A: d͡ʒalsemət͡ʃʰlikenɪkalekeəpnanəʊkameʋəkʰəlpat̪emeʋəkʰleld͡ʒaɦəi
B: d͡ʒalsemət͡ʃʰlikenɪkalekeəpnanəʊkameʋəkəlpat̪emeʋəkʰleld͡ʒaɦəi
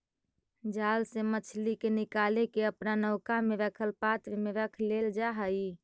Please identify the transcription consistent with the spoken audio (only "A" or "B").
A